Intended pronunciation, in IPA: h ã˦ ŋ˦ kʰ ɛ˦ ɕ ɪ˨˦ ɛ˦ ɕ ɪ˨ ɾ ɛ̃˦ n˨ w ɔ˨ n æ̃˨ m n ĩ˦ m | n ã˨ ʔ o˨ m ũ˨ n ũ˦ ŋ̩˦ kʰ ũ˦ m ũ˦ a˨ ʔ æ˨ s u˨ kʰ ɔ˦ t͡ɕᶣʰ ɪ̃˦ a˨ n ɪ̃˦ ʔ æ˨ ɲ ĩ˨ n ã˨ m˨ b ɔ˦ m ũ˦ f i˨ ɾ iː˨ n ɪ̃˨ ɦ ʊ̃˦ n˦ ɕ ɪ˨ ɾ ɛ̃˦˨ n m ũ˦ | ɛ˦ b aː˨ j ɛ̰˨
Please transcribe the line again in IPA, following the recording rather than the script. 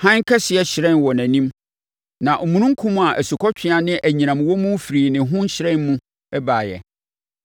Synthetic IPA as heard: h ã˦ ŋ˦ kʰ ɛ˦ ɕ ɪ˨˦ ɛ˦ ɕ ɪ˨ ɾ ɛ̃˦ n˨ w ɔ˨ n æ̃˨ n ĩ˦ m | n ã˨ ʔ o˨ m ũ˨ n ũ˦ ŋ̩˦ kʰ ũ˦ m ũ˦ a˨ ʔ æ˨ s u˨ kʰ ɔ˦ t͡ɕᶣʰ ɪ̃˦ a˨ n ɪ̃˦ ʔ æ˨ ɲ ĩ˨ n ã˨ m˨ w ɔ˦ m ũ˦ f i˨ ɾ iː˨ n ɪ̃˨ ɦ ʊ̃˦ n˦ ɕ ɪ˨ ɾ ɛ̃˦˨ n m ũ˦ | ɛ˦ b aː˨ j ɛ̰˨

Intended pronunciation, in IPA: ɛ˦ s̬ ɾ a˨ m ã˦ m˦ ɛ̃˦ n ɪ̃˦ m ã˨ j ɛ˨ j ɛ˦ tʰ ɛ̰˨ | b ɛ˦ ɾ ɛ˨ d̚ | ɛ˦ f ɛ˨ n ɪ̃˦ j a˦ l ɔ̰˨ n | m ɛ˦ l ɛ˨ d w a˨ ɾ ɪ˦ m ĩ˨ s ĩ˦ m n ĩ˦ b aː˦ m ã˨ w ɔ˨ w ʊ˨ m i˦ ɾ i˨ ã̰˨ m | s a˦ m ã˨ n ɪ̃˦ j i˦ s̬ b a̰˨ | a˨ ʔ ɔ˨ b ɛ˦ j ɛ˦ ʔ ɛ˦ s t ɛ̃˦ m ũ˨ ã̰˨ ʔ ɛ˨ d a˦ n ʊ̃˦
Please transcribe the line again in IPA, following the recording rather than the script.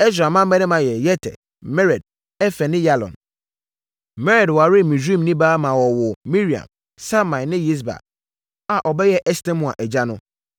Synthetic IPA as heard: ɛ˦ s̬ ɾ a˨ m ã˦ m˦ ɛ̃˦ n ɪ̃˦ m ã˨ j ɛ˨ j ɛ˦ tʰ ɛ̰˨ | m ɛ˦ ɾ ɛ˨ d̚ | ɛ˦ f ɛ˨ n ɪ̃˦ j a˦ l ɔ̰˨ n | m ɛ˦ ɾ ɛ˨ d w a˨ ɾ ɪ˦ m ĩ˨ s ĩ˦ m n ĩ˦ b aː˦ m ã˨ w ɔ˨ w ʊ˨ m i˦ ɾ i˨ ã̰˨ m | s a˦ m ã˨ n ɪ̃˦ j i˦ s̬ b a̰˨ | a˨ ʔ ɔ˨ b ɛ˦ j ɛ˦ ʔ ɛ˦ s t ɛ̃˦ m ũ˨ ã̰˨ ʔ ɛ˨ d͡ʑ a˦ n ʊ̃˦

